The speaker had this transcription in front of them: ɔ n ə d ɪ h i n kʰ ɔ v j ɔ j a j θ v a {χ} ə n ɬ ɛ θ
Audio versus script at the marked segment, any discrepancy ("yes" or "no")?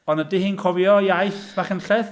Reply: no